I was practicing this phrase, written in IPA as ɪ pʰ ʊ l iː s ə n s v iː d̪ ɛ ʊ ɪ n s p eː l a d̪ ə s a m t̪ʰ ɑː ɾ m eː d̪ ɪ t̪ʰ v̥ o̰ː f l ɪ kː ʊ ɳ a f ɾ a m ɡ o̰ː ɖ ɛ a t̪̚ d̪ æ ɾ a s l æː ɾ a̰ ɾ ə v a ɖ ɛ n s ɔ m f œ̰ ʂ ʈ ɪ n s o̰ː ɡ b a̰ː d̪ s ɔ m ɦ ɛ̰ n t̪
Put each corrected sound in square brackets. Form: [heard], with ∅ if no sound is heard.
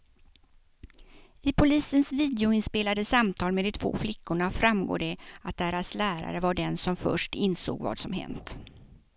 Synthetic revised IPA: ɪ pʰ ʊ l iː s ə n s v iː d̪ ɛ ʊ ɪ n s p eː l a d̪ ə s a m t̪ʰ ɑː [l] m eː d̪ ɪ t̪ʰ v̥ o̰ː f l ɪ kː ʊ ɳ a f ɾ a m ɡ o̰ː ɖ ɛ a t̪̚ d̪ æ ɾ a s l æː ɾ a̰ ɾ ə v a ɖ ɛ n s ɔ m f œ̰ ʂ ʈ ɪ n s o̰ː ɡ [v] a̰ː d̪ s ɔ m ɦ ɛ̰ n t̪